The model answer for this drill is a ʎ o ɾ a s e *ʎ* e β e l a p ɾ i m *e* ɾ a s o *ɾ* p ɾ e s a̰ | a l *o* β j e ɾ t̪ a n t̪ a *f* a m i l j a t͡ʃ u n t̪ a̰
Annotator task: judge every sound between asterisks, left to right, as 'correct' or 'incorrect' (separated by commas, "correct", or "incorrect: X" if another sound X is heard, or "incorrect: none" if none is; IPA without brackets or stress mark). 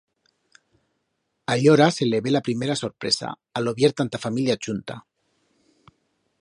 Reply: incorrect: l, correct, correct, correct, correct